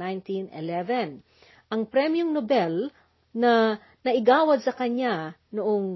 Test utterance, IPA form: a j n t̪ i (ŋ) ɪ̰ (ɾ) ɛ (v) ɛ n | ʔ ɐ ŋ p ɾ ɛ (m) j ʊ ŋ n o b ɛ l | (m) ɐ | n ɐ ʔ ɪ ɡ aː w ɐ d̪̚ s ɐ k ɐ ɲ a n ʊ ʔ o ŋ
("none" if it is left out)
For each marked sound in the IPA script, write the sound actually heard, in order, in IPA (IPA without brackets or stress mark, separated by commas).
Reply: n, l, v, m, n